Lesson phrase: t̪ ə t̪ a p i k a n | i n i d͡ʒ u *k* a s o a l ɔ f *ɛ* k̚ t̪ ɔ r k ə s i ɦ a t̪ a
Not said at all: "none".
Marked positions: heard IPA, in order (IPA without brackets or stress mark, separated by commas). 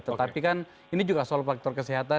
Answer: ɡ, a